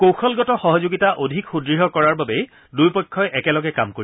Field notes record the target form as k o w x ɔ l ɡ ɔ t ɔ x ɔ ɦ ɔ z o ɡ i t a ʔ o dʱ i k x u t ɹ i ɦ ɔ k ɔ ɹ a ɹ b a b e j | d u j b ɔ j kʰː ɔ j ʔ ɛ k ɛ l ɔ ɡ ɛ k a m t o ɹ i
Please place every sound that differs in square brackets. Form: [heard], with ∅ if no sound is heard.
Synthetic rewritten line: k o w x ɔ l ɡ ɔ t ɔ x ɔ ɦ ɔ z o ɡ i t a ʔ o dʱ i k x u [d] ɹ i ɦ ɔ k ɔ ɹ a ɹ b a b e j | d u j [p] ɔ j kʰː ɔ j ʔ ɛ k ɛ l ɔ ɡ ɛ k a m [k] o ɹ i